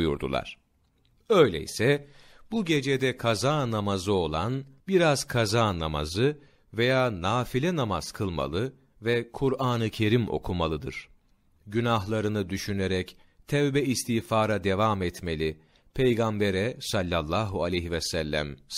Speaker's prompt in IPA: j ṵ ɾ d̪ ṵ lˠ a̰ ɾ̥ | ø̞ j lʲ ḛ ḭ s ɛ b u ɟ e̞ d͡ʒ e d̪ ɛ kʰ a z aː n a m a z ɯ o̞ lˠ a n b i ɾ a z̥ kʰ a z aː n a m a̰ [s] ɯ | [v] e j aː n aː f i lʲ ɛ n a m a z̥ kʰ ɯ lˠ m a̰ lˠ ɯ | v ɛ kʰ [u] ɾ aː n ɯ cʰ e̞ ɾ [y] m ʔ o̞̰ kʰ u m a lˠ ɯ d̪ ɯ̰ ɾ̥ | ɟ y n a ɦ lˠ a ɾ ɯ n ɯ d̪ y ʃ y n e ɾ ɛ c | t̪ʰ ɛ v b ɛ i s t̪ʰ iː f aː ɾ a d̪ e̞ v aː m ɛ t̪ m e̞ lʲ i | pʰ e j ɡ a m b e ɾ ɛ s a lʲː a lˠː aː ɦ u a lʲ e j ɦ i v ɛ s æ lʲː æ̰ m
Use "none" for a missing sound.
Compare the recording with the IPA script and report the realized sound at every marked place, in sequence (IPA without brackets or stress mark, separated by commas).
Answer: z, v, u, i